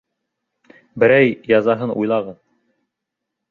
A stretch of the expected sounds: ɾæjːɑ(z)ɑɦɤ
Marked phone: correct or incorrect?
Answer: correct